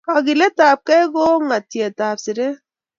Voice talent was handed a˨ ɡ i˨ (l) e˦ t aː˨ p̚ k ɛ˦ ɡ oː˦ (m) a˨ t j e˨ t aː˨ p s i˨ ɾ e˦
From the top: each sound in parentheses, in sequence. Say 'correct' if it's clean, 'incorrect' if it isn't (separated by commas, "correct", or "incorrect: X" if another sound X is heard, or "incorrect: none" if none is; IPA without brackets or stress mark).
correct, incorrect: ŋ